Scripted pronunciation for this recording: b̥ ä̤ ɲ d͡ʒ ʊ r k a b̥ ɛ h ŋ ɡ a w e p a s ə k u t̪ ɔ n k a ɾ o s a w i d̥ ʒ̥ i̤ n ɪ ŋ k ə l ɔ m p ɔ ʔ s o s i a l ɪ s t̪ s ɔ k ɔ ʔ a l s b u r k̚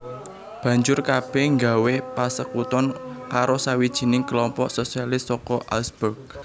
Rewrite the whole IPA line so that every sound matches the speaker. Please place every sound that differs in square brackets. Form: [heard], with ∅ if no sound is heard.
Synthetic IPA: b̥ ä̤ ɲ d͡ʒ ʊ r k a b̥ ɛ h ŋ ɡ a w e p a s ə k u t̪ ɔ n k a ɾ o s a w i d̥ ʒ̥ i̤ n ɪ ŋ k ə l ɔ m p ɔ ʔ s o s i a l ɪ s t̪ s ɔ k ɔ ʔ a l s b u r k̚